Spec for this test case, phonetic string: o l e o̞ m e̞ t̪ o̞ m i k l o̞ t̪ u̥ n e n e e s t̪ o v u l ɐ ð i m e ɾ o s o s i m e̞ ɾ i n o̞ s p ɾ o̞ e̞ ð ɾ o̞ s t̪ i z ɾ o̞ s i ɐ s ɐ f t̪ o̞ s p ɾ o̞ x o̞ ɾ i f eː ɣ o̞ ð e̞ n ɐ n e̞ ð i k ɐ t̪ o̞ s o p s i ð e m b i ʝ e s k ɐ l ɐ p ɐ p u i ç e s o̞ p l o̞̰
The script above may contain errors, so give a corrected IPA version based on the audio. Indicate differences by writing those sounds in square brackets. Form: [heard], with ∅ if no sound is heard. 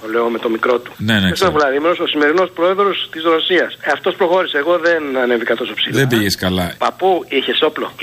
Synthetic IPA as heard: o l e o̞ m e̞ t̪ o̞ m i k [ɾ] o̞ t̪ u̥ n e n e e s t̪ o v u l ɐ ð i m e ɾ o s o s i m e̞ ɾ i n o̞ s p ɾ o̞ e̞ ð ɾ o̞ s t̪ i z ɾ o̞ s i ɐ s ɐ f t̪ o̞ s p ɾ o̞ x o̞ ɾ i [s] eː ɣ o̞ ð e̞ n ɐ n e̞ [v] i k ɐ t̪ o̞ s o p s i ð e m b i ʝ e s k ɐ l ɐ p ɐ p u i ç e s o̞ p l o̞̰